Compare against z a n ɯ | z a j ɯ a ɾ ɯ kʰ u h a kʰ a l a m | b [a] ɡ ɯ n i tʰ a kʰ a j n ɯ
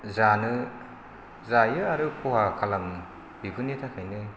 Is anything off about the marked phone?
yes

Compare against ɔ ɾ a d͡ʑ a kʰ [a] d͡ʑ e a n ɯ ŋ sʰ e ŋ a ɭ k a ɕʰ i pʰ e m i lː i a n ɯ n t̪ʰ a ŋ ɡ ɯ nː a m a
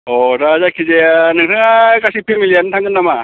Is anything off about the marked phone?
yes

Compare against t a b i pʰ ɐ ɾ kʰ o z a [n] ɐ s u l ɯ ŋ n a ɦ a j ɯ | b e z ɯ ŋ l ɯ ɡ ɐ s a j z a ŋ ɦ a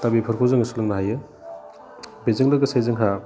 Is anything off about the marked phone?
yes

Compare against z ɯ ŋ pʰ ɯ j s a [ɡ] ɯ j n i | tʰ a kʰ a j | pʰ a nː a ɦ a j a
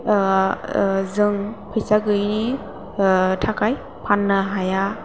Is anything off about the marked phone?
no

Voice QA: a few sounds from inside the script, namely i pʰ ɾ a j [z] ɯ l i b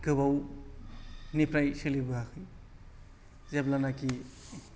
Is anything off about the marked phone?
yes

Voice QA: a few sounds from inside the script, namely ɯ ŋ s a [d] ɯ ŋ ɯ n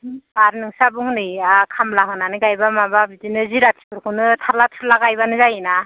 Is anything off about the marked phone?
yes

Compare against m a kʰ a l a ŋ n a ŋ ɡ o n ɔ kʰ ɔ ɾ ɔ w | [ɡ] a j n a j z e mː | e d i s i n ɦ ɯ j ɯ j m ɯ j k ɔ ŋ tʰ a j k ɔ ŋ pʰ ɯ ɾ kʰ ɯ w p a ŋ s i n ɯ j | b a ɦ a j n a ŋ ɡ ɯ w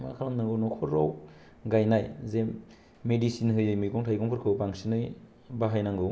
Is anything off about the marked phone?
no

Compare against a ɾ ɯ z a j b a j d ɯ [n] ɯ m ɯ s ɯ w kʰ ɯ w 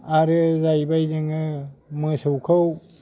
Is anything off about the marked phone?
yes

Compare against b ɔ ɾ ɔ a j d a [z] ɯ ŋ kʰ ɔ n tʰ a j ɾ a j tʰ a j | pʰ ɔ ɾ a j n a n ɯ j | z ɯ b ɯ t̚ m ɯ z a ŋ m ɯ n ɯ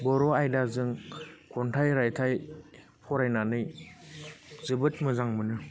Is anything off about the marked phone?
no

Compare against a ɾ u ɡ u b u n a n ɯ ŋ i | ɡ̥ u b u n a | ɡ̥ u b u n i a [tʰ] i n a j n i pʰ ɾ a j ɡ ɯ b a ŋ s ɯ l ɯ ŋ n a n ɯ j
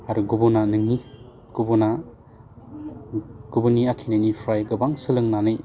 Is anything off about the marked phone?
yes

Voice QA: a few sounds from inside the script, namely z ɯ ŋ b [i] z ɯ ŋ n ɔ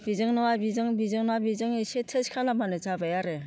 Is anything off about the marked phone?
no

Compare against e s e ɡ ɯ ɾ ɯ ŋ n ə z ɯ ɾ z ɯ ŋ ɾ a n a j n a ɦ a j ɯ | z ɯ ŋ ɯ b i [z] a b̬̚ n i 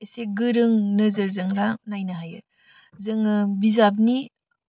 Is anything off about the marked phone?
no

